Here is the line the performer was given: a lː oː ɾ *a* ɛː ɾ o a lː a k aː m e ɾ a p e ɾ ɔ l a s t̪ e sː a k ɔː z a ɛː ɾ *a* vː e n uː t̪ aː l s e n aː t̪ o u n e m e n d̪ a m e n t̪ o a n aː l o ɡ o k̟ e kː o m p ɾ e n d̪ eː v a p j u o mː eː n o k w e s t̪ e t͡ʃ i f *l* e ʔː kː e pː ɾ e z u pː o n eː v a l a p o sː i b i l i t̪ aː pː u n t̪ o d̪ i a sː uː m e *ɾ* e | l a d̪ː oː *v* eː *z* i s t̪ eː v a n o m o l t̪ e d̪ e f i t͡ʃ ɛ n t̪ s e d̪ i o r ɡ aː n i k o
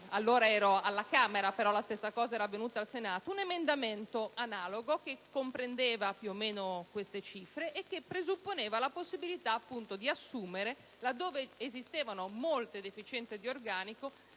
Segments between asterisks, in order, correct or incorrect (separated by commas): correct, correct, incorrect, correct, correct, correct